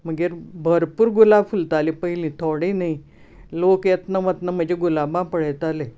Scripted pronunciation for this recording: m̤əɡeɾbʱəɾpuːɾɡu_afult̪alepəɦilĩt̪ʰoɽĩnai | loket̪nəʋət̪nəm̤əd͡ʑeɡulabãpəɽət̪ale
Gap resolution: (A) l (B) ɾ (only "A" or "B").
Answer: A